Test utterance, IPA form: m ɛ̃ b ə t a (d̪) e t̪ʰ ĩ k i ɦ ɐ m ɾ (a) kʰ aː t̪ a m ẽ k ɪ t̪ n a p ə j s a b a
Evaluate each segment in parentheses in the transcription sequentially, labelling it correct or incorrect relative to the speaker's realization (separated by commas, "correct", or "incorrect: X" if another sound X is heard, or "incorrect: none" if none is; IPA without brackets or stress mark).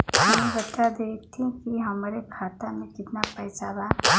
correct, incorrect: e